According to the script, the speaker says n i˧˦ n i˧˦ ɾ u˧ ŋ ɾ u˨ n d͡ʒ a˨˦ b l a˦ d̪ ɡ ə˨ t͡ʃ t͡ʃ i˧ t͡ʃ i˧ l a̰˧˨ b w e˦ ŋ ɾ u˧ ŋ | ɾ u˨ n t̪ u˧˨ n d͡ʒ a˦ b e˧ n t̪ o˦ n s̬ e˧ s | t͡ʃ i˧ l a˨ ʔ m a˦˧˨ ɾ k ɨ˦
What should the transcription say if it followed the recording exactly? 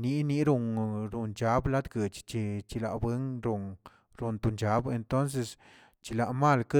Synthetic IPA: n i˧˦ n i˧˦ ɾ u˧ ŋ ɾ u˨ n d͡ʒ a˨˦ b l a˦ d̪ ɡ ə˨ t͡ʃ t͡ʃ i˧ t͡ʃ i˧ l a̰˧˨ b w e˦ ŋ ɾ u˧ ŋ | ɾ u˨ n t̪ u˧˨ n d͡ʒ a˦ b e˧ n t̪ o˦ n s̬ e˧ s | t͡ʃ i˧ l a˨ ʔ m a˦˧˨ l k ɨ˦

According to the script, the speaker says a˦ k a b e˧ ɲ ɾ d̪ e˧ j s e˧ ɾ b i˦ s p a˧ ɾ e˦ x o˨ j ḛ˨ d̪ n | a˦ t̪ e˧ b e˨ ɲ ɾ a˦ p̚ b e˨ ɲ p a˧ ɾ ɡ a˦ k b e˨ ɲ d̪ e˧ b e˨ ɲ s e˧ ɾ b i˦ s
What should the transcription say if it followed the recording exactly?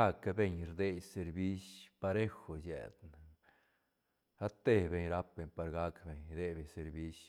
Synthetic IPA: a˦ k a b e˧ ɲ ɾ d̪ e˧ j s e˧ ɾ b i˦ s p a˧ ɾ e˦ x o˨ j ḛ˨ d̪ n | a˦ t̪ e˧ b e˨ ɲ ɾ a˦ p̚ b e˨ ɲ p a˧ ɾ ɡ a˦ k b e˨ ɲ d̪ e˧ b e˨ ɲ s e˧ ɾ b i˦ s

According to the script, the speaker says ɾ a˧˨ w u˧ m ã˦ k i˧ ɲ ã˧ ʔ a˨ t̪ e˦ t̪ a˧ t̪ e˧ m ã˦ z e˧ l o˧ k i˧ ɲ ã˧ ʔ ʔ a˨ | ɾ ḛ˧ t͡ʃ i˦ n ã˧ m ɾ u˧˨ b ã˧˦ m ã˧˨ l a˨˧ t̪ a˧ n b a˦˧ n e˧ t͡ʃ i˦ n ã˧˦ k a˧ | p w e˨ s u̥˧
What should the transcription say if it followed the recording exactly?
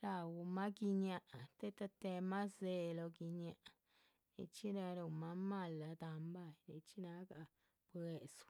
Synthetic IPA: ɾ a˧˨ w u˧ m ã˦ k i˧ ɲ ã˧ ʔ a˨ t̪ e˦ t̪ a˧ t̪ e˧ m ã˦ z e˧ l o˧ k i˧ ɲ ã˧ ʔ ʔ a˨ | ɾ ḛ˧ t͡ʃ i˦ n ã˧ ɾ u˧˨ m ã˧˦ m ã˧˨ l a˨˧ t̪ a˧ m b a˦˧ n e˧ t͡ʃ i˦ n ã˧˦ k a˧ | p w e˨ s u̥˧

